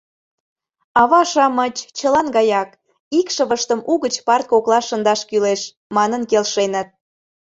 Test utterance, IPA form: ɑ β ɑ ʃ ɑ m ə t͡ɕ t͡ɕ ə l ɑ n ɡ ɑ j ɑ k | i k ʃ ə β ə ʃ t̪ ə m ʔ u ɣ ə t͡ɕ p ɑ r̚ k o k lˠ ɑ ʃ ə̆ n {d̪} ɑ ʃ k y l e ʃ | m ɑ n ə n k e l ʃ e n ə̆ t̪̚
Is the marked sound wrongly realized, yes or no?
no